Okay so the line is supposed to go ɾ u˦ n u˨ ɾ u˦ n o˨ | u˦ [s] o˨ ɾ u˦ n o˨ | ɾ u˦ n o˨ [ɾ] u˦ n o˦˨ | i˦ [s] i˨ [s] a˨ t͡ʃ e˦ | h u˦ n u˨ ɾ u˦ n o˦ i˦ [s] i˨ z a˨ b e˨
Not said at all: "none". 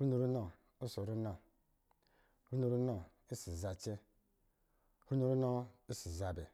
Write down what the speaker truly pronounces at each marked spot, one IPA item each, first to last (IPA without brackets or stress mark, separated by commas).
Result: s, ɾ, s, z, s